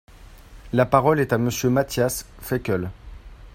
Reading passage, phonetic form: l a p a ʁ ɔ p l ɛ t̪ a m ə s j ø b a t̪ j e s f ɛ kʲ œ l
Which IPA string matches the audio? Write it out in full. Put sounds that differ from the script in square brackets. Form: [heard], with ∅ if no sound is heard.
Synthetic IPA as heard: l a p a ʁ ɔ [∅] l ɛ t̪ a m ə s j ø [m] a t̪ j [a] s f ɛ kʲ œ l